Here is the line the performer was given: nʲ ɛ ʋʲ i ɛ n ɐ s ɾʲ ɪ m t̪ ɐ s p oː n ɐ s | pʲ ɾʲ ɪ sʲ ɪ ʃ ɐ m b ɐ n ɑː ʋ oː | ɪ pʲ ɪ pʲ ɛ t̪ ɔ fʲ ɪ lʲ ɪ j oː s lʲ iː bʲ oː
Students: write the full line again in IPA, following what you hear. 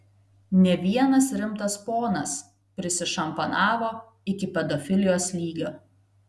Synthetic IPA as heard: nʲ ɛ ʋʲ i ɛ n ɐ s ɾʲ ɪ m t̪ ɐ s p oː n ɐ s | pʲ ɾʲ ɪ sʲ ɪ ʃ ɐ m p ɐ n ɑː ʋ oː | ɪ kʲ ɪ pʲ ɛ d̪ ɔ fʲ ɪ lʲ ɪ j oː s lʲ iː ɡʲ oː

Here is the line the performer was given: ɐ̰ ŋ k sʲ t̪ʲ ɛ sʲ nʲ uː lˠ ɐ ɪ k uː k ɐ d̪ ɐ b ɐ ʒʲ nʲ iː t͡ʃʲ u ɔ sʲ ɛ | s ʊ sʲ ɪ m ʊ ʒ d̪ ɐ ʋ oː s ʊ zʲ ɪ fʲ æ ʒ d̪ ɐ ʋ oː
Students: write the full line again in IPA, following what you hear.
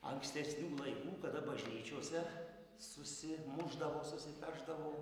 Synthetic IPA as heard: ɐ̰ ŋ k sʲ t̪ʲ ɛ sʲ nʲ uː lˠ ɐ ɪ k uː k ɐ d̪ ɐ b ɐ ʒʲ nʲ iː t͡ʃʲ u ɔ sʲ ɛ | s ʊ sʲ ɪ m ʊ ʒ d̪ ɐ ʋ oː s ʊ sʲ ɪ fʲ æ ʒ d̪ ɐ ʋ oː

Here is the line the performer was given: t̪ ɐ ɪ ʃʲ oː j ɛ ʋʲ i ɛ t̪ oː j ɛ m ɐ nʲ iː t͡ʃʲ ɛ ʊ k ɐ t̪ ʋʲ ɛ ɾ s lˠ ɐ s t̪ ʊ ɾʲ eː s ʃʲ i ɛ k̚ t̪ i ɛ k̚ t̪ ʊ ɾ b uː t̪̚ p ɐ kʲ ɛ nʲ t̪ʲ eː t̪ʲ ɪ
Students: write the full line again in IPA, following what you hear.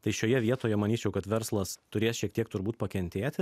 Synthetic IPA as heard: t̪ ɐ ɪ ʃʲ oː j ɛ ʋʲ i ɛ t̪ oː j ɛ m ɐ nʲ iː t͡ʃʲ ɛ ʊ k ɐ t̪ ʋʲ ɛ ɾ s lˠ ɐ s t̪ ʊ ɾʲ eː s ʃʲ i ɛ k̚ t̪ i ɛ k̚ t̪ ʊ ɾ b uː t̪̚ p ɐ kʲ ɛ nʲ t̪ʲ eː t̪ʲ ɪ

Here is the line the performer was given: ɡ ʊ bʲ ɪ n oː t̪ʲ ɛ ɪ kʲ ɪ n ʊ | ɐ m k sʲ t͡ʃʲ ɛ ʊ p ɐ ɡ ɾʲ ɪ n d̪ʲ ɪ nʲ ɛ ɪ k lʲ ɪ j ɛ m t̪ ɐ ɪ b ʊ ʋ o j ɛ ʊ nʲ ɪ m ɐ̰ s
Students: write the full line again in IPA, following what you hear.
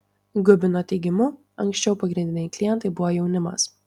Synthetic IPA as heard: ɡ ʊ bʲ ɪ n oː t̪ʲ ɛ ɪ ɡʲ ɪ m ʊ | ɐ ŋ k sʲ t͡ʃʲ ɛ ʊ p ɐ ɡ ɾʲ ɪ n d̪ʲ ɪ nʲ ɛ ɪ k lʲ ɪ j ɛ n t̪ ɐ ɪ b ʊ ʋ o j ɛ ʊ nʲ ɪ m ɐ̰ s

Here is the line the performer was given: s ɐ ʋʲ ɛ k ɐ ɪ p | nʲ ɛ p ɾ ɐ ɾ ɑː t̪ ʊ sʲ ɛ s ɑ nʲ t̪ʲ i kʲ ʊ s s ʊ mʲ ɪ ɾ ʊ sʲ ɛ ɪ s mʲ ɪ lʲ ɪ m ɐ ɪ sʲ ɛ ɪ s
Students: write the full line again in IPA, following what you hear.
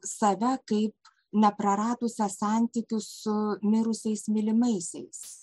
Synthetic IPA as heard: s ɐ ʋʲ ɛ k ɐ ɪ p | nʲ ɛ p ɾ ɐ ɾ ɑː t̪ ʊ sʲ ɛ s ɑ nʲ t̪ʲ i kʲ ʊ s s ʊ mʲ ɪ ɾ ʊ sʲ ɛ ɪ s mʲ ɪ lʲ ɪ m ɐ ɪ sʲ ɛ ɪ s

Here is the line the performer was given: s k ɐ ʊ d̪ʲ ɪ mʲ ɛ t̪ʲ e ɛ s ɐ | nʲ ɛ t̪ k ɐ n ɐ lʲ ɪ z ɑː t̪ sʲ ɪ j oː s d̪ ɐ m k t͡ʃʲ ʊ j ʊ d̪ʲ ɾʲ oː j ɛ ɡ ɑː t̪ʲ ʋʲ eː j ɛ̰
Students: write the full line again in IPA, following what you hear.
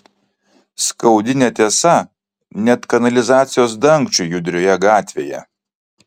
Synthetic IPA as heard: s k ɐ ʊ d̪ʲ ɪ nʲ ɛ t̪ʲ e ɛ s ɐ | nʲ ɛ t̪ k ɐ n ɐ lʲ ɪ z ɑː t̪ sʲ ɪ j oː s d̪ ɐ ŋ k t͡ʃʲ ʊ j ʊ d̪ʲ ɾʲ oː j ɛ ɡ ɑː t̪ʲ ʋʲ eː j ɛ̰

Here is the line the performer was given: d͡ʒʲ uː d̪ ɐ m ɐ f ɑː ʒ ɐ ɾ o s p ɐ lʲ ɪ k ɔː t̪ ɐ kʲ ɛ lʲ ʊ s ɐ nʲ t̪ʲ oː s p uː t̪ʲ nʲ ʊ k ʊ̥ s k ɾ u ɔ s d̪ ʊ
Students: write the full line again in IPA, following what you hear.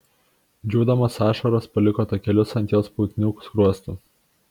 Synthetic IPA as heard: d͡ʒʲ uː d̪ ɐ m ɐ s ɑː ʃ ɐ ɾ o s p ɐ lʲ ɪ k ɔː t̪ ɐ kʲ ɛ lʲ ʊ s ɐ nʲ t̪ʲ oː s p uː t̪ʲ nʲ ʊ k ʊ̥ s k ɾ u ɔ s t̪ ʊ

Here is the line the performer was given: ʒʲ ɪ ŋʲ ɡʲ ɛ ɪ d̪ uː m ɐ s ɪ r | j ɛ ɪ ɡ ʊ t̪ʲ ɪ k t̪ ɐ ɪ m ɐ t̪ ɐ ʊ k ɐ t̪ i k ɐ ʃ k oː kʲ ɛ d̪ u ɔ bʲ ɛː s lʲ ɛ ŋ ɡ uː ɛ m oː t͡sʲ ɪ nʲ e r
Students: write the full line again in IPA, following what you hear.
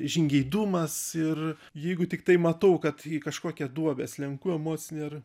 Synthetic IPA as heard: ʒʲ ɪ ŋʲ ɡʲ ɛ ɪ d̪ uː m ɐ s ɪ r | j ɛ ɪ ɡ ʊ t̪ʲ ɪ k t̪ ɐ ɪ m ɐ t̪ ɐ ʊ k ɐ t̪ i k ɐ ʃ k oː kʲ ɛ d̪ u ɔ bʲ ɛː s lʲ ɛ ŋ k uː ɛ m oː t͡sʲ ɪ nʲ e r

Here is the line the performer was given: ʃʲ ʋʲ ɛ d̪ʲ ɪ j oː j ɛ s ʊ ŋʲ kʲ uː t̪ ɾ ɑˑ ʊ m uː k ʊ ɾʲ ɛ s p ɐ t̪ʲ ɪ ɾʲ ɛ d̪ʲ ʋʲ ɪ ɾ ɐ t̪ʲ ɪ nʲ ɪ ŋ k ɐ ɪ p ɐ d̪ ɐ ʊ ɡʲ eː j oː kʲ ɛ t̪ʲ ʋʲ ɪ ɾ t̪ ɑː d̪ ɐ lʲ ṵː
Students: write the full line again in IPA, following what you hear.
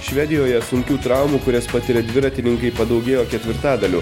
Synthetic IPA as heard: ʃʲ ʋʲ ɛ d̪ʲ ɪ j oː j ɛ s ʊ ŋʲ kʲ uː t̪ ɾ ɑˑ ʊ m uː k ʊ ɾʲ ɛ s p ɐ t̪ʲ ɪ ɾʲ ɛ d̪ʲ ʋʲ ɪ ɾ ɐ t̪ʲ ɪ nʲ ɪ ŋ k ɐ ɪ p ɐ d̪ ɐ ʊ ɡʲ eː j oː kʲ ɛ t̪ʲ ʋʲ ɪ ɾ t̪ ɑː d̪ ɐ lʲ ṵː

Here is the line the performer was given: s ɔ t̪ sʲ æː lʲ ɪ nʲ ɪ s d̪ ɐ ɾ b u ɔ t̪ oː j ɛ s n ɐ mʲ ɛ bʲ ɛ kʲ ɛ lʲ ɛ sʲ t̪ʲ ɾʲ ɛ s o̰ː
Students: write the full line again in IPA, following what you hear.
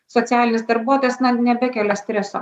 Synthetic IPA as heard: s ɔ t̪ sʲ æː lʲ ɪ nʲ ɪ s d̪ ɐ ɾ b u ɔ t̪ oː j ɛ s n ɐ nʲ ɛ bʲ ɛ kʲ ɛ lʲ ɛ sʲ t̪ʲ ɾʲ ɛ s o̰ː

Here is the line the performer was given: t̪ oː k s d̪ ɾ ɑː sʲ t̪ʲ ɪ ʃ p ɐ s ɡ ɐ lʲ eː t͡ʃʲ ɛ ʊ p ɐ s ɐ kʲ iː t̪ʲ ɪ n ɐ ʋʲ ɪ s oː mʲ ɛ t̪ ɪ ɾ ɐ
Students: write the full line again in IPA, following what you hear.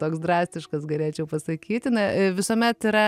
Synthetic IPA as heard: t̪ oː k s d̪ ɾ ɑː sʲ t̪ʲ ɪ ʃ k ɐ s ɡ ɐ lʲ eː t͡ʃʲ ɛ ʊ p ɐ s ɐ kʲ iː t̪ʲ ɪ n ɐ ʋʲ ɪ s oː mʲ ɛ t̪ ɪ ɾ ɐ

